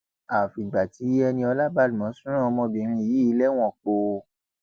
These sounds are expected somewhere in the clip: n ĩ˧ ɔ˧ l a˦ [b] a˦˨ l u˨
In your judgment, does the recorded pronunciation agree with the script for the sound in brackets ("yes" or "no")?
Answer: yes